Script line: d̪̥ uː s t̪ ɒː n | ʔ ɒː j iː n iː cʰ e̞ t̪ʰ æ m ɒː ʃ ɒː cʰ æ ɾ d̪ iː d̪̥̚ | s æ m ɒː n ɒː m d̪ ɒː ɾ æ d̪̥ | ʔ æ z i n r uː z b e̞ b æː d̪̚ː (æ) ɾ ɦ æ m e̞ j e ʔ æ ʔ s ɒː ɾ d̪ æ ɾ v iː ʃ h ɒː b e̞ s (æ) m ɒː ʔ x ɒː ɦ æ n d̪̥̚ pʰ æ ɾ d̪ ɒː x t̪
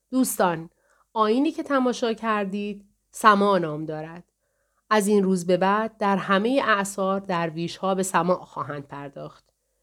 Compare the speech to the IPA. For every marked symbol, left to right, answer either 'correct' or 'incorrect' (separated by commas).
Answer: correct, correct